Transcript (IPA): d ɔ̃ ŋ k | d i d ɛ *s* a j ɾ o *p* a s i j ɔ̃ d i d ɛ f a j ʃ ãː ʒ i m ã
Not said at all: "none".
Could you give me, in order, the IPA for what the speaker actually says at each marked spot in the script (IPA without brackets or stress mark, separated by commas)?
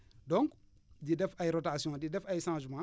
f, t